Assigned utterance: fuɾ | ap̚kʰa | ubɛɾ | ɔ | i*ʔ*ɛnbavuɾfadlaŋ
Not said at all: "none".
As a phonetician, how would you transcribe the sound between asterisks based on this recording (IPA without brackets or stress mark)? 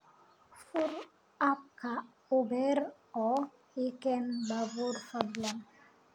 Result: k